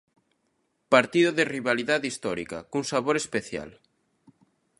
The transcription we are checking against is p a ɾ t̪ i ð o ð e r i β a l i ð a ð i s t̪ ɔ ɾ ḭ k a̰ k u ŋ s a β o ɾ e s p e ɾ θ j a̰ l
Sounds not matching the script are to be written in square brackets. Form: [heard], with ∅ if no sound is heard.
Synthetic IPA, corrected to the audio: p a ɾ t̪ i ð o ð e r i β a l i ð a ð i s t̪ ɔ ɾ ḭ k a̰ k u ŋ s a β o ɾ e s p e [∅] θ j a̰ l